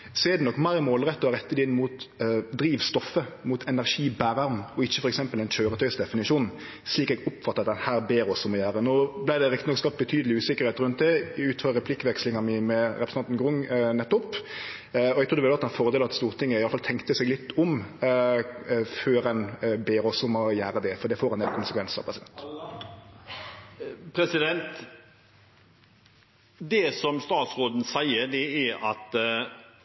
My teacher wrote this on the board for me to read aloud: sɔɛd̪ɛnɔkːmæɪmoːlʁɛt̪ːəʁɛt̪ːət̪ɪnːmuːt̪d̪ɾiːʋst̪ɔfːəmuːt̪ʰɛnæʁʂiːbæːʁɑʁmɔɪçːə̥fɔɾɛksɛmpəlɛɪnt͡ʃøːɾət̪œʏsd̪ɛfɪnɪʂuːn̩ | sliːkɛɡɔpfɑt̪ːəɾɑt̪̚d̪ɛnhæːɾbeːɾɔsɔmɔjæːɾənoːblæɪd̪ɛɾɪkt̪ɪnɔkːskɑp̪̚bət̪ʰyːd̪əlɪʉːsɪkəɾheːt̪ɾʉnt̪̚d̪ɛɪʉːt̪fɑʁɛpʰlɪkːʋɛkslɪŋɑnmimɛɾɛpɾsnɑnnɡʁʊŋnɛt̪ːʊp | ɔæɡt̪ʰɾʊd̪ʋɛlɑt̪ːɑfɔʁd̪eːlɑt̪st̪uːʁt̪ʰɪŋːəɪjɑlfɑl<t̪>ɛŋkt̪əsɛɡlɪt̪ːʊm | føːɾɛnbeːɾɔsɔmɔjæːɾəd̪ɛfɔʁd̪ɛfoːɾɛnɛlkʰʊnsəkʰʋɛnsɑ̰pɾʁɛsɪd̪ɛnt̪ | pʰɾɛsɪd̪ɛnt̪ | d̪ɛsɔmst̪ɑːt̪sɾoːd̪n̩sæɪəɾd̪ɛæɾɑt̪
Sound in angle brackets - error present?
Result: yes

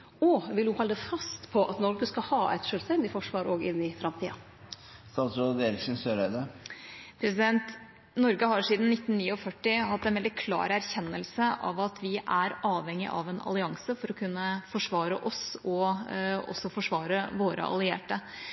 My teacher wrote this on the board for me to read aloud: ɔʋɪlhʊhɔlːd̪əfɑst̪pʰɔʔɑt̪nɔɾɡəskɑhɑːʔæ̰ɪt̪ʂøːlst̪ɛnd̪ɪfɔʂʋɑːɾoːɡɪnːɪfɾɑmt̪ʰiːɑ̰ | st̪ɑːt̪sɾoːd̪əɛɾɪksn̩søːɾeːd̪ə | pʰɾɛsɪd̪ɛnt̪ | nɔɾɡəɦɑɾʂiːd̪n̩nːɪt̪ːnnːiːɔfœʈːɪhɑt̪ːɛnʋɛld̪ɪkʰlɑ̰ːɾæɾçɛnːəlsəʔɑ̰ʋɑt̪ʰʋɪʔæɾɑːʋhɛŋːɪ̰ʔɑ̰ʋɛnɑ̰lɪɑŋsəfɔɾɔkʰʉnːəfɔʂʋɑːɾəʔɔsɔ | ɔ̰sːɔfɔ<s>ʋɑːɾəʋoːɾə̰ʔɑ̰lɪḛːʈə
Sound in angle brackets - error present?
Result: yes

